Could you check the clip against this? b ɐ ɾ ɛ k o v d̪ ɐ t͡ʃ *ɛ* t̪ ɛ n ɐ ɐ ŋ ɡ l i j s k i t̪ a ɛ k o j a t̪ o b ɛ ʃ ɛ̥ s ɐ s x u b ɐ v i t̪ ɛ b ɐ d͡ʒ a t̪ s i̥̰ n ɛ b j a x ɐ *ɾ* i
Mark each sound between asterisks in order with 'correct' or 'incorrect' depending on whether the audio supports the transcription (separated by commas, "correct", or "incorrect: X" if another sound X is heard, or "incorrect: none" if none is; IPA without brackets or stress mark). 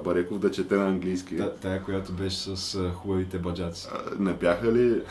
correct, incorrect: l